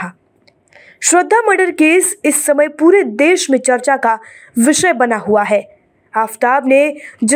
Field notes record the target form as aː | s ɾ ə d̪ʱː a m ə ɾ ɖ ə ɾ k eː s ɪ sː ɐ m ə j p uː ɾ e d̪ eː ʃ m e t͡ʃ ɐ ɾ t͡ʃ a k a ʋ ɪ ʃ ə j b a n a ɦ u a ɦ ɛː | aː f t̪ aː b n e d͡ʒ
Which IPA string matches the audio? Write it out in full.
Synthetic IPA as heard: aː | ʃ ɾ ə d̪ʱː a m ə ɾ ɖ ə ɾ k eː s ɪ sː ɐ m ə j p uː ɾ e d̪ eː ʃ m ẽ t͡ʃ ɐ ɾ t͡ʃ a k a ʋ ɪ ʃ ə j b ɐ n a ɦ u a ɦ ɛː | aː f t̪ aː b n e d͡ʒ